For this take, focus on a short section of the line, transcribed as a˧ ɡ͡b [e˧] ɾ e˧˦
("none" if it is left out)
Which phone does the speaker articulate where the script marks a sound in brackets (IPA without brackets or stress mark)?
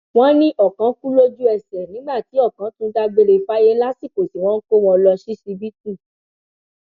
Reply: e˧